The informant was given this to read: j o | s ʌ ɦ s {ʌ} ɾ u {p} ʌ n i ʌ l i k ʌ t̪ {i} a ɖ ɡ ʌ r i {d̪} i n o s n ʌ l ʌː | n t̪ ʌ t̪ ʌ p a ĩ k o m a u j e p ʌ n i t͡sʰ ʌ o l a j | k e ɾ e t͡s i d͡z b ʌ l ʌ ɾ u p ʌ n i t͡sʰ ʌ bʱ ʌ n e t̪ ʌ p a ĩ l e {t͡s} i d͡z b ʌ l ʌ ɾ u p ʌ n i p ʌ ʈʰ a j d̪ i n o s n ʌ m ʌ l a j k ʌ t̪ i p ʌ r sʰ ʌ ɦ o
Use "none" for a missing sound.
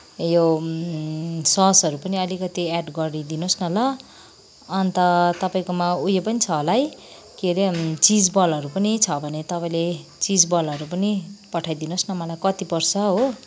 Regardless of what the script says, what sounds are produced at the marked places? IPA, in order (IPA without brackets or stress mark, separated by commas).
ʌ, p, i, d̪, t͡s